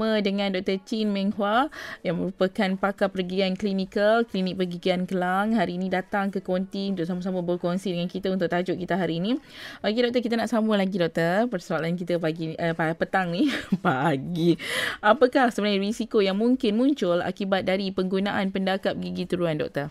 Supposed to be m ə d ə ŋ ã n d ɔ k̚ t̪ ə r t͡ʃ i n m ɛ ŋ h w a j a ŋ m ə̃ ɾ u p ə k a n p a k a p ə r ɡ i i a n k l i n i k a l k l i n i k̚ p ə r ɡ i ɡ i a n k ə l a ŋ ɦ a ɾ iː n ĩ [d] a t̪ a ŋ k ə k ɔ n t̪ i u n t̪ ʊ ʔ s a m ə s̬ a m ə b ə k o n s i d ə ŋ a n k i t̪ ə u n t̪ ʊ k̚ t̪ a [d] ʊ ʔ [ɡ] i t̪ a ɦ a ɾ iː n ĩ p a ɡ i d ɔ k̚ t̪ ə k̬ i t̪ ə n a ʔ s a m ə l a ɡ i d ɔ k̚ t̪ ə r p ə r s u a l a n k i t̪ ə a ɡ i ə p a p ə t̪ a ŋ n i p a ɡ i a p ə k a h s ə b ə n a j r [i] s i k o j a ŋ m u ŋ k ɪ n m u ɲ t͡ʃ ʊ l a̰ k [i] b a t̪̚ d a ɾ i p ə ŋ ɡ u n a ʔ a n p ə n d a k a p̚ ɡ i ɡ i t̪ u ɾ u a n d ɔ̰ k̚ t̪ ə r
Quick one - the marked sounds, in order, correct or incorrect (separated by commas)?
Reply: correct, incorrect, incorrect, correct, correct